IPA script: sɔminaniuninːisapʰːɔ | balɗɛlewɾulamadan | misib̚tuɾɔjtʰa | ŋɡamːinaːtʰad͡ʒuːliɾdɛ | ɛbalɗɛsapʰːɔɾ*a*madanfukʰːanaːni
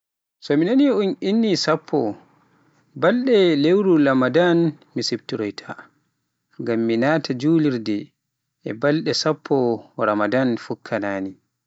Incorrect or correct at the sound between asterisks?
correct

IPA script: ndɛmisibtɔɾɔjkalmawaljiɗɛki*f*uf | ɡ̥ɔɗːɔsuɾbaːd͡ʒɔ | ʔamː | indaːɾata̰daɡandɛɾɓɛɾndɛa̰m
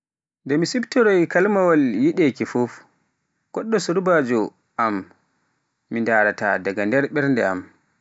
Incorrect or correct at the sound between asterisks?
correct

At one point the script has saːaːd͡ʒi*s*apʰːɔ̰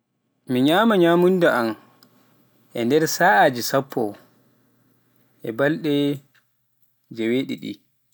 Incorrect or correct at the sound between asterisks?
correct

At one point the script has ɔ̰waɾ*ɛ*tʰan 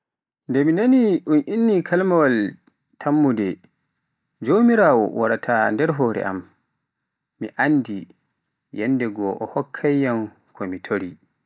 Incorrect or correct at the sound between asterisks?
incorrect: a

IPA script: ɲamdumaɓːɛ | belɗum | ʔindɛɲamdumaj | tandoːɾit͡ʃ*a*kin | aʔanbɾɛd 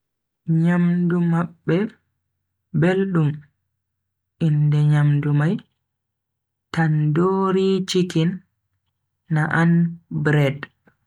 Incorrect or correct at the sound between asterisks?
incorrect: i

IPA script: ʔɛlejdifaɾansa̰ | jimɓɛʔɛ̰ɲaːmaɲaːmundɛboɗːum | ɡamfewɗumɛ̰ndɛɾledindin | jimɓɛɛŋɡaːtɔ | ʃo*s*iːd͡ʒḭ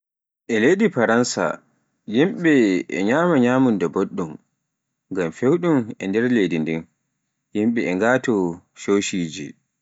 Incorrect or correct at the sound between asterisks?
incorrect: ʃ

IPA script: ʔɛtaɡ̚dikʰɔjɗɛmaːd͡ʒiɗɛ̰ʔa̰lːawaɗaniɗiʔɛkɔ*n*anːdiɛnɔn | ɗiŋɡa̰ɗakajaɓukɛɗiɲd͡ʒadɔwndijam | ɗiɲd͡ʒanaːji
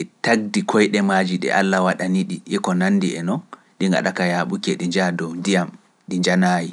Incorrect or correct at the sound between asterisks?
correct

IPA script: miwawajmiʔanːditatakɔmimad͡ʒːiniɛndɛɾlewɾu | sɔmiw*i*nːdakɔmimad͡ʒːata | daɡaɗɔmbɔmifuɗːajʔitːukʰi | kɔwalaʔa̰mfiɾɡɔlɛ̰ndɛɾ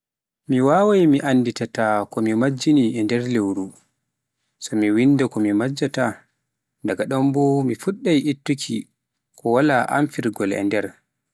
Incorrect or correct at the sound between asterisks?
correct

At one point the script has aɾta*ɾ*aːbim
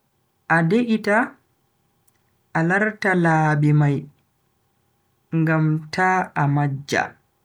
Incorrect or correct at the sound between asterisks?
incorrect: l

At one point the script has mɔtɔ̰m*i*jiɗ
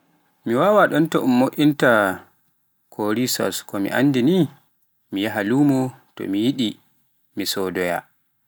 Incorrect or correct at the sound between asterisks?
correct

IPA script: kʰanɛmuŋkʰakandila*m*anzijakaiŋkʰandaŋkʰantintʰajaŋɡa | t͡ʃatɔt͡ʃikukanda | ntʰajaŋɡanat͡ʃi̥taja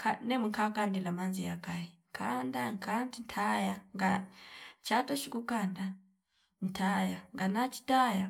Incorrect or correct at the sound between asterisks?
correct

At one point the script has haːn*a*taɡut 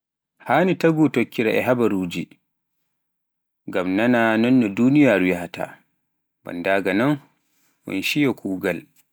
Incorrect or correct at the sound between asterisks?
incorrect: i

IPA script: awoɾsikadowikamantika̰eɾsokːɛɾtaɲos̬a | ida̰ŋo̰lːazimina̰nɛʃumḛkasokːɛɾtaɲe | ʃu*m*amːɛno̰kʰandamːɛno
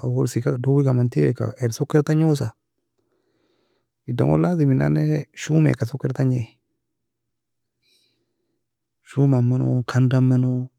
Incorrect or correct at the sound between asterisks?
correct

